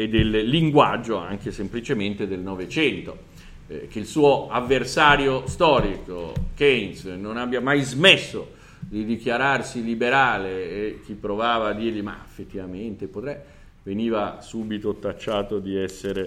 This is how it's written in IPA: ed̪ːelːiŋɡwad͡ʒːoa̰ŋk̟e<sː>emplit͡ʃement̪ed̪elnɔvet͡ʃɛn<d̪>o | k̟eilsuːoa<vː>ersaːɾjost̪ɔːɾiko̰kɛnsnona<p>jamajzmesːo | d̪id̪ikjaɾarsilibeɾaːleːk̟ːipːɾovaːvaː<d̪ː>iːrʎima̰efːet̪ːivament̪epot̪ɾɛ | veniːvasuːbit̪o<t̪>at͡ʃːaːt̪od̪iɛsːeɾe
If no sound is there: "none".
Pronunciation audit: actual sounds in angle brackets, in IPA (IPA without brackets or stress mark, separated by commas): s, t̪, vː, b, d̪ː, t̪